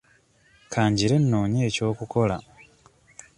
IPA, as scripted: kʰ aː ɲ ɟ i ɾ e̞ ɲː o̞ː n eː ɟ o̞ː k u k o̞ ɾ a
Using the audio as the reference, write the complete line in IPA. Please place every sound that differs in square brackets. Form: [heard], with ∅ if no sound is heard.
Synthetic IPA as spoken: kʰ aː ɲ ɟ i ɾ e̞ [nː] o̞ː [ɲ] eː [c] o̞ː k u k o̞ [l] a